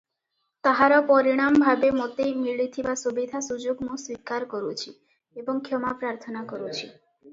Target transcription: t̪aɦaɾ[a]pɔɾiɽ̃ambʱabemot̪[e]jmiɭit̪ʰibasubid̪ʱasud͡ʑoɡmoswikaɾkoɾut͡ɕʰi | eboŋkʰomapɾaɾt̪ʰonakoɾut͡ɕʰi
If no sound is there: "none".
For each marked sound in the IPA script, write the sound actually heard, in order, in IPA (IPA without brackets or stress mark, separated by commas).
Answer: a, e